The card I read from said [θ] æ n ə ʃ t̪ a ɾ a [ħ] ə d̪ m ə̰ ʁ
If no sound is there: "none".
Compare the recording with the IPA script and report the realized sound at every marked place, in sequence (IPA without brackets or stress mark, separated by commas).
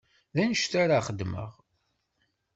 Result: ð, χ